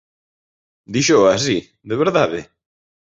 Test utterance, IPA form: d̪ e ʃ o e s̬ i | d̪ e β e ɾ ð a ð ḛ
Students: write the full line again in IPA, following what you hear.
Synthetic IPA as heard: d̪ i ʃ o a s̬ i | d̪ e β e ɾ ð a ð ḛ